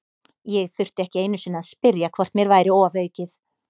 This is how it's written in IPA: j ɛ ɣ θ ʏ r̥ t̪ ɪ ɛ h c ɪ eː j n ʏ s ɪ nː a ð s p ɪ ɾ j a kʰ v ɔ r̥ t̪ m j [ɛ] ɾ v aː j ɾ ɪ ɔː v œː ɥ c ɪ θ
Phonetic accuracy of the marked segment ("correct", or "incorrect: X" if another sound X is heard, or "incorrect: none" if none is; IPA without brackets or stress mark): correct